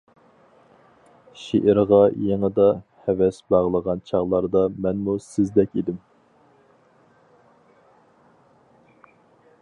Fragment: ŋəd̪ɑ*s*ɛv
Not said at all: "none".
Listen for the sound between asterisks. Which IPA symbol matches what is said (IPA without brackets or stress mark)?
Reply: h